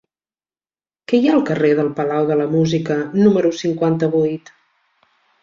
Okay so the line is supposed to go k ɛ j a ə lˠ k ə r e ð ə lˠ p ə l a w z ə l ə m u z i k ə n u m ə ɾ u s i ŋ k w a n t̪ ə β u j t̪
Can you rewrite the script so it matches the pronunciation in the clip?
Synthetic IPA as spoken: k ɛ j a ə lˠ k ə r e ð ə lˠ p ə l a w ð ə l ə m u z i k ə n u m ə ɾ u s i ŋ k w a n t̪ ə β u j t̪

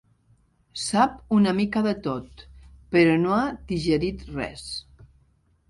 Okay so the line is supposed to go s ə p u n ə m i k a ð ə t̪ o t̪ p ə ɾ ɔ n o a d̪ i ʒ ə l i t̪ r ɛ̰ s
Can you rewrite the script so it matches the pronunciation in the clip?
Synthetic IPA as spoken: s a p u n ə m i k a ð ə t̪ o t̪ p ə ɾ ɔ n o a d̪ i ʒ ə ɾ i t̪ r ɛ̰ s

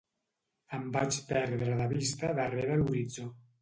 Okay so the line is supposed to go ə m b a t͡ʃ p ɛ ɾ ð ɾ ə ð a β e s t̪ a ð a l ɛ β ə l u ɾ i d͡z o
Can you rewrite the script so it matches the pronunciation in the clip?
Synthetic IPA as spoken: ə m b a t͡ʃ p ɛ ɾ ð ɾ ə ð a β i s t̪ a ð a r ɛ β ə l u ɾ i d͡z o

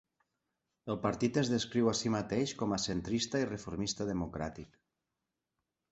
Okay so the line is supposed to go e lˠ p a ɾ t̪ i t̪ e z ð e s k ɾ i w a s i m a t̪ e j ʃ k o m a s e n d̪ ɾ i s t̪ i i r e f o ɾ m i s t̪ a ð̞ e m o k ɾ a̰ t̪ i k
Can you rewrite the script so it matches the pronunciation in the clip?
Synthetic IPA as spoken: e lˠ p a ɾ t̪ i t̪ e z ð e s k ɾ i w a s i m a t̪ e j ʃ k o m a s e n t̪ ɾ i s t̪ a i r e f o ɾ m i s t̪ a ð̞ e m o k ɾ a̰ t̪ i k

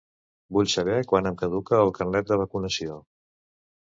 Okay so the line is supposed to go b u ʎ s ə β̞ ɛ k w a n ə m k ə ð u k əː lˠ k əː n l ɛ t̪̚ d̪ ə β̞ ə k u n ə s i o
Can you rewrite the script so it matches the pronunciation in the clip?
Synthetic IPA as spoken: b u ʎ s ə β̞ ɛ k w a n ə m k ə ð u k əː lˠ k ə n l ɛ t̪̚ d̪ ə β̞ ə k u n ə s i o

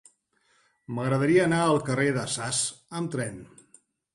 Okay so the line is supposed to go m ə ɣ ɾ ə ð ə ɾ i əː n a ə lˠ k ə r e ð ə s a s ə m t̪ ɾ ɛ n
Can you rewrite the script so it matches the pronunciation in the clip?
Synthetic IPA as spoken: m ə ɣ ɾ ə ð ə ɾ i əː n a ə lˠ k ə r e ð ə s a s ə m t̪ ɾ ɛ n

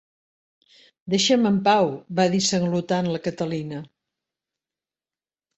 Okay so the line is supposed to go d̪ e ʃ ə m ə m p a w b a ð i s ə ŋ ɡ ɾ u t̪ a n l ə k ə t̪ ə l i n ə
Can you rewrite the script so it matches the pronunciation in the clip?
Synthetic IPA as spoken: d̪ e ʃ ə m ə m p a w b a ð i s ə ŋ ɡ l u t̪ a n l ə k ə t̪ ə l i n ə

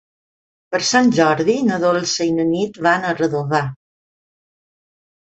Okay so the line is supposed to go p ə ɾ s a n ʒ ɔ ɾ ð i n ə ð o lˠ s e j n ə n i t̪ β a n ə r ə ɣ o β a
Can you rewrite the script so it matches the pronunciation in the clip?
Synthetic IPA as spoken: p ə ɾ s a n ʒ ɔ ɾ ð i n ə ð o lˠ s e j n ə n i t̪ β a n ə r ə ð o β a

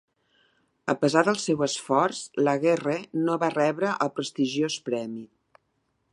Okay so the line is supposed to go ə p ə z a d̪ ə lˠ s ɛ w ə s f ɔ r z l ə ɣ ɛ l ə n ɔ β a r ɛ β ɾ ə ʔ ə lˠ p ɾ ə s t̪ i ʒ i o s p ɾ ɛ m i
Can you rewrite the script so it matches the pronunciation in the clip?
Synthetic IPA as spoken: ə p ə z a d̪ ə lˠ s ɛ w ə s f ɔ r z l ə ɣ ɛ r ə n o β a r ɛ β ɾ ə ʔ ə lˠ p ɾ ə s t̪ i ʒ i o s p ɾ ɛ m i

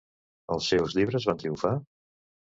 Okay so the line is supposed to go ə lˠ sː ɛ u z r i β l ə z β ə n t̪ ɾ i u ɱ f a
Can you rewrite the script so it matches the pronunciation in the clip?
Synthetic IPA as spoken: ə lˠ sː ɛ w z ʎ i β ɾ ə z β a n t̪ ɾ i u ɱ f a

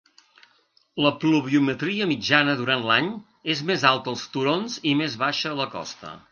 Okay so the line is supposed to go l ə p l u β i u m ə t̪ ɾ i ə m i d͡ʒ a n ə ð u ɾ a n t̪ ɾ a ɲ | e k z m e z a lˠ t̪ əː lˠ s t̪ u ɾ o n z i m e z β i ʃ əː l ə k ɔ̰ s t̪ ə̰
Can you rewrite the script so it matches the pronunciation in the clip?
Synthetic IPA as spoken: l ə p l u β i u m ə t̪ ɾ i ə m i d͡ʒ a n ə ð u ɾ a n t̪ l a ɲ | e z m e z a lˠ t̪ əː lˠ s t̪ u ɾ o n z i m e z β a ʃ əː l ə k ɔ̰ s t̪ ə̰

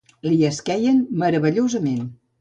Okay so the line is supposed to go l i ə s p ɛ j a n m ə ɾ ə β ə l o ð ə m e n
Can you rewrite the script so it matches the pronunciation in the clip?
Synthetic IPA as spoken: l i ə s k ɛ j ə n m ə ɾ ə β ə ʎ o z ə m e n

